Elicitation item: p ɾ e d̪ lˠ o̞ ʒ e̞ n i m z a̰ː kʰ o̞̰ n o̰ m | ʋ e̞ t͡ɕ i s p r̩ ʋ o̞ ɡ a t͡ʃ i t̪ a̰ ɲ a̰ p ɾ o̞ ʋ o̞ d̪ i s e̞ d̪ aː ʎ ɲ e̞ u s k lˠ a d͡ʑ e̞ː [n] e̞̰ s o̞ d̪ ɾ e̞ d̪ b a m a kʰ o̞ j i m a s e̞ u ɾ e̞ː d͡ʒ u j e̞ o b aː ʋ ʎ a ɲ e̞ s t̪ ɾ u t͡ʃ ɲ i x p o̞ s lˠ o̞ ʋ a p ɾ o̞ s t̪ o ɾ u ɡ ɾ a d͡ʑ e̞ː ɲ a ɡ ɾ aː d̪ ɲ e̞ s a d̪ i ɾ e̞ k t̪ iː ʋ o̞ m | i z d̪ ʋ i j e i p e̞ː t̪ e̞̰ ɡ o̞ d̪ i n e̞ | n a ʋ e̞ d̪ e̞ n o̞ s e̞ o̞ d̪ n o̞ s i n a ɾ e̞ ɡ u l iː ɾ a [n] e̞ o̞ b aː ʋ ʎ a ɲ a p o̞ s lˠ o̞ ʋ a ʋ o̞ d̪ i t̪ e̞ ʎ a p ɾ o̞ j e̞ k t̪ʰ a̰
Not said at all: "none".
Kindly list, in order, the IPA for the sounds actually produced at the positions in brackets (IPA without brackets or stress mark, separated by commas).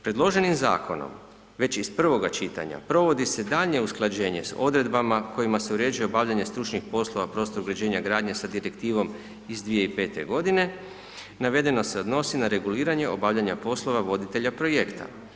ɲ, ɲ